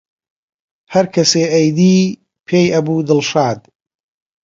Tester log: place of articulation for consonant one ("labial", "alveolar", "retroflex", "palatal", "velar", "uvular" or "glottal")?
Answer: glottal